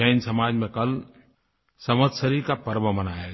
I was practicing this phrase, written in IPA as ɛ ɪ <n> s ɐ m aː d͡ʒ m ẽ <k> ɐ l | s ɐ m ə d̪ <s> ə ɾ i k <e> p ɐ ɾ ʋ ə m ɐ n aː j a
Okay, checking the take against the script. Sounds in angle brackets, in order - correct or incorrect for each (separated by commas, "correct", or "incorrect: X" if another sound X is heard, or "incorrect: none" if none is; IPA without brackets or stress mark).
correct, correct, correct, incorrect: a